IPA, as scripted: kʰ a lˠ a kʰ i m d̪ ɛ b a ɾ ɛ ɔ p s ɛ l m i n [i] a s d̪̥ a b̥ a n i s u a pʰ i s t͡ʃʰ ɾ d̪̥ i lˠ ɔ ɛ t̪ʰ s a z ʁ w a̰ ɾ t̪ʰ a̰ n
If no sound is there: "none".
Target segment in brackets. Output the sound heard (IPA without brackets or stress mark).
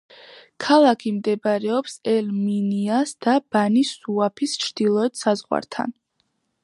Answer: i